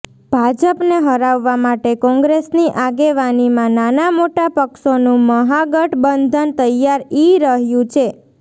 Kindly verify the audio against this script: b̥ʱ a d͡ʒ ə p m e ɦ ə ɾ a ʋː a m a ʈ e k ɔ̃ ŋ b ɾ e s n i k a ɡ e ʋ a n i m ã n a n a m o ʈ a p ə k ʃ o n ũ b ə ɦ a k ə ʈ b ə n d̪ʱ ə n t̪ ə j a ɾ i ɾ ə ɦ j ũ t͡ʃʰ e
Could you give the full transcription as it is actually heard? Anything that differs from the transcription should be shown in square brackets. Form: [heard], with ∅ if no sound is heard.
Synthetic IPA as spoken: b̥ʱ a d͡ʒ ə p [n] e ɦ ə ɾ a ʋː a m a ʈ e k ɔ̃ ŋ [ɡ] ɾ e s n i [ʔ] a ɡ e ʋ a n i m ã n a n a m o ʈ a p ə k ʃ o n ũ [m] ə ɦ a [ɡ] ə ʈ b ə n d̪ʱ ə n t̪ ə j a ɾ i ɾ ə ɦ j ũ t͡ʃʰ e